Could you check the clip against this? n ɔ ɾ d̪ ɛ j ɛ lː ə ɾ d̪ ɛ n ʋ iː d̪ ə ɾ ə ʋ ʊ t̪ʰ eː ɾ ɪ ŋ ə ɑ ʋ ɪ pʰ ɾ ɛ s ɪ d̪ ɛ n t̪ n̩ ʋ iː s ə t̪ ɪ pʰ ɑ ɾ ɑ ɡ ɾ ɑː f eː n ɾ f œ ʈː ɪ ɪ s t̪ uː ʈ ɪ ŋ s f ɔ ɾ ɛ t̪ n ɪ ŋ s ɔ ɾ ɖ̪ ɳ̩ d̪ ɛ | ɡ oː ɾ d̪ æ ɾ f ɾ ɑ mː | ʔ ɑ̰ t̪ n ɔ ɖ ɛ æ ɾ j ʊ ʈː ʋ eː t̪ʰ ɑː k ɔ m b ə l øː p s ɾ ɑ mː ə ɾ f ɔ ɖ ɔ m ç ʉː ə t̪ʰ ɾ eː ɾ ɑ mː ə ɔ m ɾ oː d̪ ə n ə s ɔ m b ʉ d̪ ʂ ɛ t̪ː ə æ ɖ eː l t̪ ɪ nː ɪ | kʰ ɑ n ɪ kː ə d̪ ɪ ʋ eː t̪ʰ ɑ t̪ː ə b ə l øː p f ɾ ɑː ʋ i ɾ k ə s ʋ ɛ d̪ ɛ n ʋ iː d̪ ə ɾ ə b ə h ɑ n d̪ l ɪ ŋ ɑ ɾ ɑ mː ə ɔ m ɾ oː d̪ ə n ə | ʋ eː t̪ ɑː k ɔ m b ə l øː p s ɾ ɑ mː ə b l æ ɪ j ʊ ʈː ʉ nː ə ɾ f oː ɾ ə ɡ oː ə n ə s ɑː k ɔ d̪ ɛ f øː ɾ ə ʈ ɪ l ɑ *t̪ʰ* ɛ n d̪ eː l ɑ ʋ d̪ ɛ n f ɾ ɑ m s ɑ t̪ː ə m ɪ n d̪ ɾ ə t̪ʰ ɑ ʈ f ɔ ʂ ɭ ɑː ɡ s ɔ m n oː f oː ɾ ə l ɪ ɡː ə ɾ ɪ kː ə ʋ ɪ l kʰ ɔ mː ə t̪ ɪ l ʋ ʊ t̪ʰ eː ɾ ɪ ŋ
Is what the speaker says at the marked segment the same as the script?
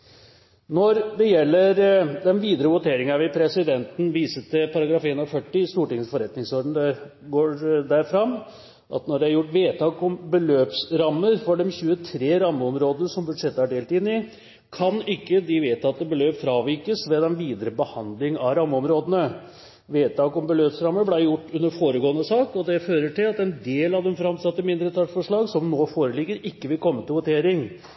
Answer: no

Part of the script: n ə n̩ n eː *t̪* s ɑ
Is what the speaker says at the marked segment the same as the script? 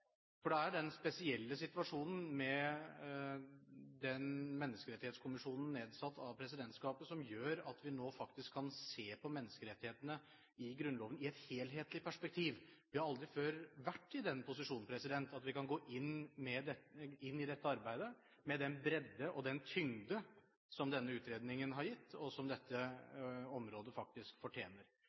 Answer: no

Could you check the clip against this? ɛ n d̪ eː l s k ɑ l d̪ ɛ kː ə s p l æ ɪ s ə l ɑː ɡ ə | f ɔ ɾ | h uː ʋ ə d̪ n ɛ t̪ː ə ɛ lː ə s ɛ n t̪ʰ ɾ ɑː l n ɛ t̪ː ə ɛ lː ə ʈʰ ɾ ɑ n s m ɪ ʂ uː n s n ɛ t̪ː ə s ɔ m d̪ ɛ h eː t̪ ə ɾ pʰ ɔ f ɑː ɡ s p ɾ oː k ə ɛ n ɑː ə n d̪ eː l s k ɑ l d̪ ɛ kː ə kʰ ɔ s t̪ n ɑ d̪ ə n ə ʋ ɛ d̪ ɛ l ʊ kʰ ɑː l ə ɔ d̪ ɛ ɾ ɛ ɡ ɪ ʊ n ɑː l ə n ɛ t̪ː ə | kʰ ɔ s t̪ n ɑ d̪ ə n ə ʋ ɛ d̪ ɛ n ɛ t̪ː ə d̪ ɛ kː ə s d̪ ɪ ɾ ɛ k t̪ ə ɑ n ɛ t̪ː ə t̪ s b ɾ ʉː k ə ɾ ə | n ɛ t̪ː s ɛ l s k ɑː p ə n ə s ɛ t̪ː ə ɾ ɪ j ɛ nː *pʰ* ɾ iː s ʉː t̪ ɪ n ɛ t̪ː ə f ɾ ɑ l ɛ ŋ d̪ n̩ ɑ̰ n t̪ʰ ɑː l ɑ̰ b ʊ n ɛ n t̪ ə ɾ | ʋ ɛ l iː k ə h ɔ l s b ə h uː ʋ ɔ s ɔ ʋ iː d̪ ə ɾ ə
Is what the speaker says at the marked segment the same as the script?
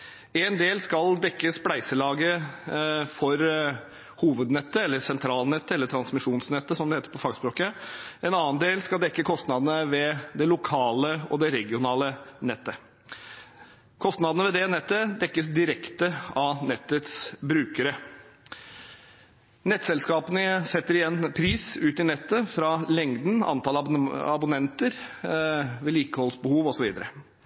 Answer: yes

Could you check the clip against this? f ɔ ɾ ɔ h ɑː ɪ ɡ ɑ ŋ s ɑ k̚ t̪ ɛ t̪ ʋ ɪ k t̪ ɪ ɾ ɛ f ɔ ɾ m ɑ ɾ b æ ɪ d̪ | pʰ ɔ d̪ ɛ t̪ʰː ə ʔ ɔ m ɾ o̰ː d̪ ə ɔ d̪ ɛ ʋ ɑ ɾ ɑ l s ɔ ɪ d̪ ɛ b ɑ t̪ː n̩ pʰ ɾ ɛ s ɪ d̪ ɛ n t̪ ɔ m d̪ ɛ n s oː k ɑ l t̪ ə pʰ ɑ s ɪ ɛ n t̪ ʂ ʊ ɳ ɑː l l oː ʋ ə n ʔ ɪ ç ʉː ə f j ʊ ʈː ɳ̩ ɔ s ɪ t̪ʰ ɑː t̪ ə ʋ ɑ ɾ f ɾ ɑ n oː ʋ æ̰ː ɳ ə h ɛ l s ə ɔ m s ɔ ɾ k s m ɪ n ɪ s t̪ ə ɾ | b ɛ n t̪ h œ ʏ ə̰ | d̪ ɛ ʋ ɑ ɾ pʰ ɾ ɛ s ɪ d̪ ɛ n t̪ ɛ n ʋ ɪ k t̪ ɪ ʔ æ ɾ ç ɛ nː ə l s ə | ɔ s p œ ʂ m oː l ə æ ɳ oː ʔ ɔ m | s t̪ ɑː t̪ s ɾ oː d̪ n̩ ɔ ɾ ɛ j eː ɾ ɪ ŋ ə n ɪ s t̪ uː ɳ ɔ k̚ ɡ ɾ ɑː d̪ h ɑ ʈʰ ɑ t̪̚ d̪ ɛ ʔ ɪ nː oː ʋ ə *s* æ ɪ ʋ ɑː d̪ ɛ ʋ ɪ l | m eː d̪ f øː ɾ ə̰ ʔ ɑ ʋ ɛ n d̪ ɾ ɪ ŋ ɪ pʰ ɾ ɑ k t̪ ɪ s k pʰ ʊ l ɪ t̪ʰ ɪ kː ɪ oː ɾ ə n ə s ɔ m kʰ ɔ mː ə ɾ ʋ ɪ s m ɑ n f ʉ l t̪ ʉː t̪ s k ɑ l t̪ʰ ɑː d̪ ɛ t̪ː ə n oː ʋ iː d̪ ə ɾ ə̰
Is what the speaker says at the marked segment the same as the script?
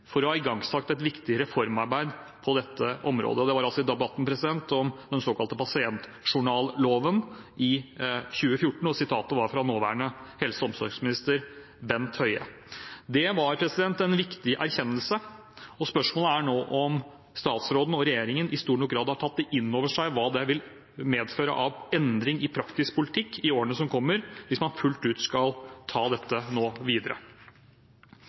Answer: no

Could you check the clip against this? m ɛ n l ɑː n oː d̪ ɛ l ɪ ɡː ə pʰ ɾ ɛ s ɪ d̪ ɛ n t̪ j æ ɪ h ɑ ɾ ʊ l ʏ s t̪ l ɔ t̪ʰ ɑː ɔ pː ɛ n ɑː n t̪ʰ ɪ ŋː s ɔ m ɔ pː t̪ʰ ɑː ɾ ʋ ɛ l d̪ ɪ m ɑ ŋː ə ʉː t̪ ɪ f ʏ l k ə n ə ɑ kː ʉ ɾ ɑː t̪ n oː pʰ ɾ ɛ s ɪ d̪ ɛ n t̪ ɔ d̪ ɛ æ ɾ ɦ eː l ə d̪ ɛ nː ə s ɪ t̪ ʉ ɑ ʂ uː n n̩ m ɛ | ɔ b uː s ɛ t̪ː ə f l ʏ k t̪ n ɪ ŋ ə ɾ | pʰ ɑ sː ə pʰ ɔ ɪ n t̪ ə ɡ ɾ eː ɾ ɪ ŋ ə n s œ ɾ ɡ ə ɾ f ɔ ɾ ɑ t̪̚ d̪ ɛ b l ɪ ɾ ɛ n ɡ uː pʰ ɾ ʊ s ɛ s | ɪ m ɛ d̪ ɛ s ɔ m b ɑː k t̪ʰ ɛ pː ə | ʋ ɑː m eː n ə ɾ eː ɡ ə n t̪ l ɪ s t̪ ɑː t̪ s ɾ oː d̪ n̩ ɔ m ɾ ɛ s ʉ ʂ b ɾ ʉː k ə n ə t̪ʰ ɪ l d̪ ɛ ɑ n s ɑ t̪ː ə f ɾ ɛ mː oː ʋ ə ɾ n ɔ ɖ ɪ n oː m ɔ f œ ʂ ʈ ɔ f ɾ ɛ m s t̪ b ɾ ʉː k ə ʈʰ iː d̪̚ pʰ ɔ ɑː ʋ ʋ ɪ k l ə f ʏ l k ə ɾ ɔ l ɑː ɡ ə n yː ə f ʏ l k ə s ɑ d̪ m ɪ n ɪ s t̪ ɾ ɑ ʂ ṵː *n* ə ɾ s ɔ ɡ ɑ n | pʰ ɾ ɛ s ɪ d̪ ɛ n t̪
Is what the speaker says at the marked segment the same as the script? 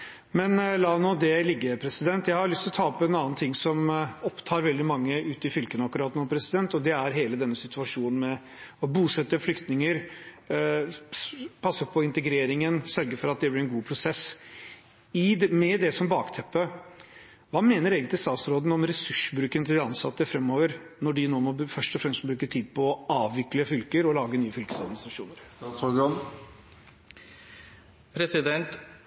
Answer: yes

